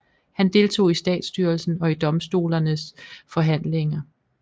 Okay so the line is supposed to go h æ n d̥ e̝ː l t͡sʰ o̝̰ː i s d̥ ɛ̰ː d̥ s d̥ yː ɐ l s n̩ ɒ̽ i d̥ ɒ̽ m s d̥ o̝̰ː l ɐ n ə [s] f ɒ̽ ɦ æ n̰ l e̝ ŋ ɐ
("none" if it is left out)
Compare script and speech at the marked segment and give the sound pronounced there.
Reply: s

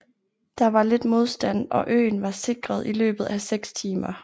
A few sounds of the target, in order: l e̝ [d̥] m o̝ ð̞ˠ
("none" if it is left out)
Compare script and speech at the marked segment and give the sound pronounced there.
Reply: d̥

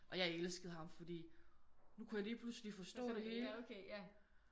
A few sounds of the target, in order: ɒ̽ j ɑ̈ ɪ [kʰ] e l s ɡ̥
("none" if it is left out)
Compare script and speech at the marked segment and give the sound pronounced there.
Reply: none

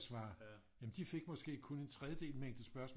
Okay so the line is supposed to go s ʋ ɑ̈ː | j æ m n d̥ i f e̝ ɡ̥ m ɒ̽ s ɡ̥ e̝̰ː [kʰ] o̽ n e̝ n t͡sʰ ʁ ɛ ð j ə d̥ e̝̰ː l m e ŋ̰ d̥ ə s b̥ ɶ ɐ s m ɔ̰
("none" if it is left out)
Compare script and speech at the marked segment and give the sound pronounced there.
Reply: kʰ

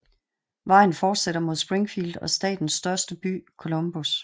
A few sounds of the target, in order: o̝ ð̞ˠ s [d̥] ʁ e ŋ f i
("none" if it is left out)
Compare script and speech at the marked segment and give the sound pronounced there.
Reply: b̥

